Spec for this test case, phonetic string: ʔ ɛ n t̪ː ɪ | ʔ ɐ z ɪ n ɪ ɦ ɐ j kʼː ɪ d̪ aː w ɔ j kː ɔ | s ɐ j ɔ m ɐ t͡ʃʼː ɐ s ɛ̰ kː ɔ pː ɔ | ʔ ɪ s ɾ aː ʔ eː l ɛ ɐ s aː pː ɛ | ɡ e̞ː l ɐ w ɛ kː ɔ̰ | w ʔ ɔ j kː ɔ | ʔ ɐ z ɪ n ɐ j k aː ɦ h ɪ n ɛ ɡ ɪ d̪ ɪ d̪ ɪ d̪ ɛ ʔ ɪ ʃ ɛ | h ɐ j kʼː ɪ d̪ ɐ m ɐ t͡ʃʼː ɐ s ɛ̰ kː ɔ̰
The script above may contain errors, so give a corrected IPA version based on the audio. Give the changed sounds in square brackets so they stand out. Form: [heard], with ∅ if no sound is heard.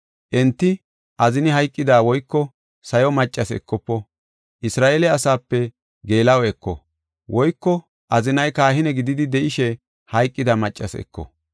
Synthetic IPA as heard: ʔ ɛ n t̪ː ɪ | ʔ ɐ z ɪ n ɪ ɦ ɐ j kʼː ɪ d̪ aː w ɔ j kː ɔ | s ɐ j ɔ m ɐ t͡ʃʼː ɐ s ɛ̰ kː ɔ pː ɔ | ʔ ɪ s ɾ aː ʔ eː l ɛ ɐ s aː pː ɛ | ɡ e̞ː l ɐ w ɛ kː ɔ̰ | w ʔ ɔ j kː ɔ | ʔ ɐ z ɪ n ɐ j k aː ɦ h ɪ n ɛ ɡ ɪ d̪ ɪ d̪ ɪ d̪ ɛ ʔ ɪ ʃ ɛ | h ɐ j kʼː ɪ d̪ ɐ m ɐ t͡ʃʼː ɐ s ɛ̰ kː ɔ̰